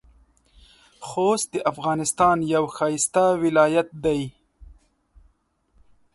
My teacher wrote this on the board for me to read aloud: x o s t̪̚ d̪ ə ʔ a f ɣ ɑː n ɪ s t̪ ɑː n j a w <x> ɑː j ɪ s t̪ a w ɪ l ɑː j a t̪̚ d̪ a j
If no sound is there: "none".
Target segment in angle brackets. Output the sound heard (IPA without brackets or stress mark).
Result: x